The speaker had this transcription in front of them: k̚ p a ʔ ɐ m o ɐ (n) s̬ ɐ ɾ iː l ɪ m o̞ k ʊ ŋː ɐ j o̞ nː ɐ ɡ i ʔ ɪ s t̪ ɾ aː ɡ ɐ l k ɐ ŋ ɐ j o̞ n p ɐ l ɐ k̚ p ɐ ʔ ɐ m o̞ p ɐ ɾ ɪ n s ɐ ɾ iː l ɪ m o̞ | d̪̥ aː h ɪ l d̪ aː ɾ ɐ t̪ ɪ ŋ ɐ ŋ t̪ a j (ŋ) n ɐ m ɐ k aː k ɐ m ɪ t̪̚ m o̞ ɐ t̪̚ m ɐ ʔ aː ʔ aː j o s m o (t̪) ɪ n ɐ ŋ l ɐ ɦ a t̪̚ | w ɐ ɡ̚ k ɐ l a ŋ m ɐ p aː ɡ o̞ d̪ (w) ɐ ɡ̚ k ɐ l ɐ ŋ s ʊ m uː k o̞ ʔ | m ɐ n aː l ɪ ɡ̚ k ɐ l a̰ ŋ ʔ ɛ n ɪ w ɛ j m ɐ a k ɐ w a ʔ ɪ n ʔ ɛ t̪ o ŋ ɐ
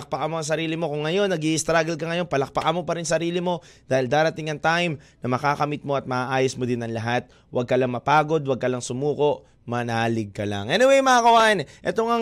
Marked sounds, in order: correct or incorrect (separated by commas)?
incorrect, incorrect, incorrect, correct